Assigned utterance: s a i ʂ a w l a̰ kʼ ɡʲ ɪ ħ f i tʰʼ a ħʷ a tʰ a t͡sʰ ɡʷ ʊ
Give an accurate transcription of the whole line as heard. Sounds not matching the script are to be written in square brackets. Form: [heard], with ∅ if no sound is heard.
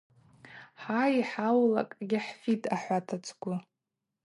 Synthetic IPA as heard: [ħ] a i [ħ] a w l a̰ kʼ ɡʲ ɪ ħ f i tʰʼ a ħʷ a tʰ a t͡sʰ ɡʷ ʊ